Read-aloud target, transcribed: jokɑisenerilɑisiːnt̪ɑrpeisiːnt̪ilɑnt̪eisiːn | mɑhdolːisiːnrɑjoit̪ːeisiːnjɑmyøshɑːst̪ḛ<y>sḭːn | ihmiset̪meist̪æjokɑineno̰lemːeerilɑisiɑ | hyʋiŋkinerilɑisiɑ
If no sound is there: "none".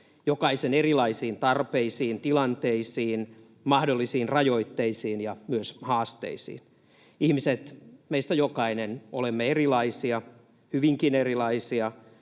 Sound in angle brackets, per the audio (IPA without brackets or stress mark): i